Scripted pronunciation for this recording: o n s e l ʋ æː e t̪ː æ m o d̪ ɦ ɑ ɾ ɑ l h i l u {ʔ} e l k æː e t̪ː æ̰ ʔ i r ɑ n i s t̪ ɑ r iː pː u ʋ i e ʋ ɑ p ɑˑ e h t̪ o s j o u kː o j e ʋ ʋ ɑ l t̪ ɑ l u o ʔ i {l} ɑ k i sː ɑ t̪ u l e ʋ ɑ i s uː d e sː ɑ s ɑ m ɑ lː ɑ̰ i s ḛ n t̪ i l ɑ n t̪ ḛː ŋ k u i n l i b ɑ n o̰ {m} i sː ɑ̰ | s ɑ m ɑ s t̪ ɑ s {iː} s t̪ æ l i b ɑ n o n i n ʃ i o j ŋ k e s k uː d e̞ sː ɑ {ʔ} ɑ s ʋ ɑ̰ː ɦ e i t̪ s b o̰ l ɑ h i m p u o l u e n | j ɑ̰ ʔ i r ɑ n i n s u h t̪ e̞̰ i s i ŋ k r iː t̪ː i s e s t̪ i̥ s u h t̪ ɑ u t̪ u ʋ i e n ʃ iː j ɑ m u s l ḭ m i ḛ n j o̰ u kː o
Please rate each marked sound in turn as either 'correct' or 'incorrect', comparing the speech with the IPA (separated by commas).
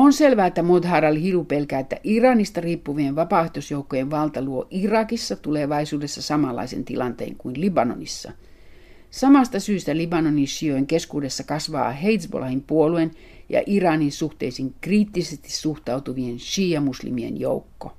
incorrect, incorrect, incorrect, incorrect, incorrect